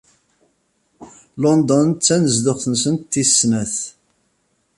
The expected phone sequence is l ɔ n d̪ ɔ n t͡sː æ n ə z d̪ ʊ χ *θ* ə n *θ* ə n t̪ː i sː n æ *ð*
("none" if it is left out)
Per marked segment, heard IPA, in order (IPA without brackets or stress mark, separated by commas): θ, s, θ